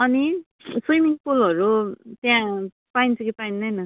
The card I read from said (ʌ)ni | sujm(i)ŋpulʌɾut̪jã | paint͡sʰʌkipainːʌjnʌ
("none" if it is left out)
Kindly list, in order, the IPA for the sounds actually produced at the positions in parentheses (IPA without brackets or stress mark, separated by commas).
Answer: ʌ, i